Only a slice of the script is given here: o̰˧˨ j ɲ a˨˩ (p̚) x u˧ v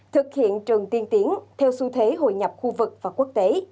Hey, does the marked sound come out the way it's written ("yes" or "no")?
yes